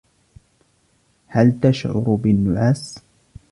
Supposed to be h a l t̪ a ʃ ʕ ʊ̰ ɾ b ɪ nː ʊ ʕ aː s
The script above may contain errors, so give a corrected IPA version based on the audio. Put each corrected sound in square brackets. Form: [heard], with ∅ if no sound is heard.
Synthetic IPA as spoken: h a l t̪ a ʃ ʕ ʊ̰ ɾ b ɪ nː ʊ ʕ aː s